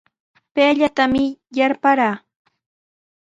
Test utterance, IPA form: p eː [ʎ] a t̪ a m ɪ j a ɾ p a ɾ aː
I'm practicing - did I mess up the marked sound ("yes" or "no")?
no